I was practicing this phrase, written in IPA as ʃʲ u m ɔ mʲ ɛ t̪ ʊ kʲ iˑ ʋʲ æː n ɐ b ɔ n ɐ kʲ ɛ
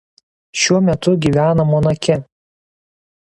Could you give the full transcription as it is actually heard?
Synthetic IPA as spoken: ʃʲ u ɔ mʲ ɛ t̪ ʊ ɡʲ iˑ ʋʲ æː n ɐ m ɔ n ɐ kʲ ɛ